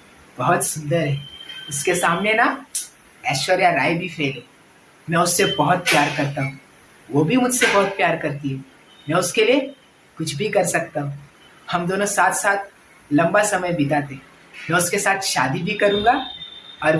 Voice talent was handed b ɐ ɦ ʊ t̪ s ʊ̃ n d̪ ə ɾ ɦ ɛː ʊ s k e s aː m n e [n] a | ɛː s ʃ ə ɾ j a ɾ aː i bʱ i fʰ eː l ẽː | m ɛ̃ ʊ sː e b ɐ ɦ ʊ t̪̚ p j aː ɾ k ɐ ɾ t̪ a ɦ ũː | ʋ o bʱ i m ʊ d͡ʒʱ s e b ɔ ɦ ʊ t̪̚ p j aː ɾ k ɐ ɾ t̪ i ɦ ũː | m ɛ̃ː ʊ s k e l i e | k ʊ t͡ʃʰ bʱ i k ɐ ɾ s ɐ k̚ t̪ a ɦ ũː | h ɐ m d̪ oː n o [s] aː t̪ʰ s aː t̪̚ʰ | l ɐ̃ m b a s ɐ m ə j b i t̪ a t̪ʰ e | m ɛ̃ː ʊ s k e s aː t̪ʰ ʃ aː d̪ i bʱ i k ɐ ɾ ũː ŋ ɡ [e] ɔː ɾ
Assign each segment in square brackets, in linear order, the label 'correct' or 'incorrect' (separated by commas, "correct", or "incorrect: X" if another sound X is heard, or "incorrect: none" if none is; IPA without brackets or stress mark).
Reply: correct, correct, incorrect: a